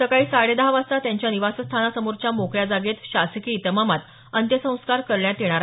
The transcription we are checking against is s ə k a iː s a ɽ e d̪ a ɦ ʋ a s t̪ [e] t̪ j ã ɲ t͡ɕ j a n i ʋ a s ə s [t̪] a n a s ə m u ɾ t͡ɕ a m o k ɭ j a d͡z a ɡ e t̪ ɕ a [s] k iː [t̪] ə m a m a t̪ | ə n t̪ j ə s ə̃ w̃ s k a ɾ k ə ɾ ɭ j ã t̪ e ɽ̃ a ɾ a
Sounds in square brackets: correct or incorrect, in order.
incorrect: a, incorrect: t̪ʰ, correct, correct

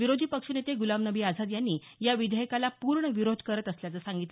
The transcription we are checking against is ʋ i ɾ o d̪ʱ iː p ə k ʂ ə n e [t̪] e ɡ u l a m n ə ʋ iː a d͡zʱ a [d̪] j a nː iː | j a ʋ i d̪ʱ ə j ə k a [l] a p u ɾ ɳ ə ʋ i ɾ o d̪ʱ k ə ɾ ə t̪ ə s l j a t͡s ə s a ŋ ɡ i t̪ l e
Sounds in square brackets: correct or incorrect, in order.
correct, correct, correct

